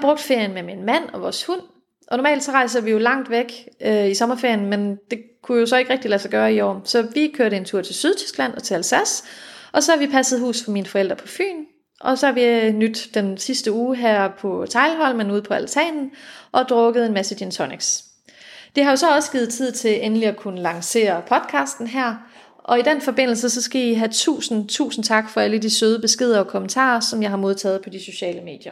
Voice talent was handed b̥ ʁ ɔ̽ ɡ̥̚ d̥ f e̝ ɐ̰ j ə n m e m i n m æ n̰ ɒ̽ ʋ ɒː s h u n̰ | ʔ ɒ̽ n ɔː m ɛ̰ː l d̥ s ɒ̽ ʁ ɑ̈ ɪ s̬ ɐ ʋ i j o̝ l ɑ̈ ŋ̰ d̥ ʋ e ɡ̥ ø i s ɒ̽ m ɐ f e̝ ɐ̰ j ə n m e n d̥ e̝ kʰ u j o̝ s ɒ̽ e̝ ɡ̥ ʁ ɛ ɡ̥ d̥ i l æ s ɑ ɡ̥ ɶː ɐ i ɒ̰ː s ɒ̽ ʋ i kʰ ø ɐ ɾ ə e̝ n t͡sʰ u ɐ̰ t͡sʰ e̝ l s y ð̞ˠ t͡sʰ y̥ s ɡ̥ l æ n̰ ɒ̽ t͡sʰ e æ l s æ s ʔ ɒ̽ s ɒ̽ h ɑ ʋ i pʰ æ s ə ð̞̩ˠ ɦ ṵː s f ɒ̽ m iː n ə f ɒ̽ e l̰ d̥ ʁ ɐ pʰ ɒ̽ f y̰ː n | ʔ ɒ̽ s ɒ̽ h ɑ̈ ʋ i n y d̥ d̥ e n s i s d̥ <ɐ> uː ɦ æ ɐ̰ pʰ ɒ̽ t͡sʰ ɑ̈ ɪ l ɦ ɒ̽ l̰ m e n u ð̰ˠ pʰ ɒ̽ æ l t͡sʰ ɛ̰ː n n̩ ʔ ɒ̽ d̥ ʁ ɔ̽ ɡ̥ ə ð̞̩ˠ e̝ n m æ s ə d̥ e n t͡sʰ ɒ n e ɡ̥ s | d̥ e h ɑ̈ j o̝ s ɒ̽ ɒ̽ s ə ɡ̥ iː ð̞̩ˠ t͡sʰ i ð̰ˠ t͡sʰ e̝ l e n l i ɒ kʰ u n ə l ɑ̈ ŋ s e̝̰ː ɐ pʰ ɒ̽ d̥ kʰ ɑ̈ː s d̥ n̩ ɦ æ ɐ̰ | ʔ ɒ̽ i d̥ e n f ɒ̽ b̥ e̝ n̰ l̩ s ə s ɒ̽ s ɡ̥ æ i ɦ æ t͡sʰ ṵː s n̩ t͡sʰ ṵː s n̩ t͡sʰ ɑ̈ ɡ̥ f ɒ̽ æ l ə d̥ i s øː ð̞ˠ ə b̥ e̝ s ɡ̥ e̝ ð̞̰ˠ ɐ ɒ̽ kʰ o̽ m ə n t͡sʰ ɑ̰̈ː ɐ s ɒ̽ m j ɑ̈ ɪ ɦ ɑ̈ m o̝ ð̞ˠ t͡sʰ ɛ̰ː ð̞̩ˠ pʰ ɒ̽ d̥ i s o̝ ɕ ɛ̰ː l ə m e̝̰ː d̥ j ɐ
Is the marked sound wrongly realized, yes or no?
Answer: yes